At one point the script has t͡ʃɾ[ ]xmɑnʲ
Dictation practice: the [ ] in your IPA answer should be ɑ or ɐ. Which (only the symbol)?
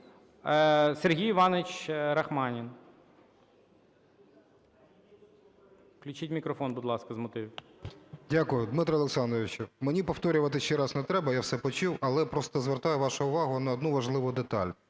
ɐ